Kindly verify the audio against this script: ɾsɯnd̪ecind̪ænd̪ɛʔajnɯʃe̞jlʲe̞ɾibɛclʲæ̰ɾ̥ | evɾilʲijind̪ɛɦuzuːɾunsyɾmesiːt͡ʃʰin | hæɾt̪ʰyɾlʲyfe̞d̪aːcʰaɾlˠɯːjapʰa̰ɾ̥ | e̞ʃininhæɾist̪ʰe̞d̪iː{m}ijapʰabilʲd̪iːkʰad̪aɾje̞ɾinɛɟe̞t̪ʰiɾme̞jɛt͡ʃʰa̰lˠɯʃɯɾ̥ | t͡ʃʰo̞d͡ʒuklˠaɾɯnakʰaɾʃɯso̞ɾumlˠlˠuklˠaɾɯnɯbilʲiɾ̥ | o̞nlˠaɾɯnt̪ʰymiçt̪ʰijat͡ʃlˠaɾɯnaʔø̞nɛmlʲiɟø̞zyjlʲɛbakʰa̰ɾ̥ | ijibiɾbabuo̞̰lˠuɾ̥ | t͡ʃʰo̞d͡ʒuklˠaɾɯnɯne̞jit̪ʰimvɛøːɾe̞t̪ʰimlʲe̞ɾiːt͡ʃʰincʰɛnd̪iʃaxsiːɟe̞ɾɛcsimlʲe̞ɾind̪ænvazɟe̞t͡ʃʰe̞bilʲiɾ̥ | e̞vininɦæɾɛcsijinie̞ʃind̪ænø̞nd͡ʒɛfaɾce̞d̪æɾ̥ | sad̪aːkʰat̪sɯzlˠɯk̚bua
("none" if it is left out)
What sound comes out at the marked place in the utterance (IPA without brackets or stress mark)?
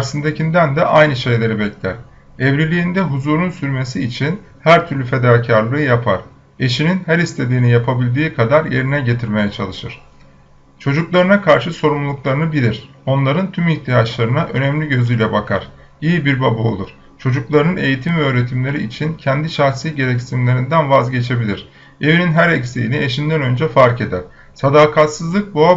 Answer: n